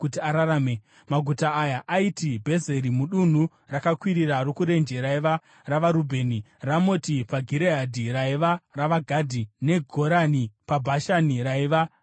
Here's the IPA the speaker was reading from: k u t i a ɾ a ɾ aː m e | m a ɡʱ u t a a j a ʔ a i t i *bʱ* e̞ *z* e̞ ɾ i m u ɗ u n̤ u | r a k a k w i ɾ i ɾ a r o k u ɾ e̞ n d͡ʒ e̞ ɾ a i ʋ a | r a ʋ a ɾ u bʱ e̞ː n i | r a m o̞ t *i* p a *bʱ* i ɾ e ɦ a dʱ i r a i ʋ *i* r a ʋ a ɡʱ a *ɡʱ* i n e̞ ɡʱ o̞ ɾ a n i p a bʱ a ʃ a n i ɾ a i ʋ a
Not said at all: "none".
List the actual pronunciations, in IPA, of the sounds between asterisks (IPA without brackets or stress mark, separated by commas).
bʱ, z, i, ɡʱ, a, dʱ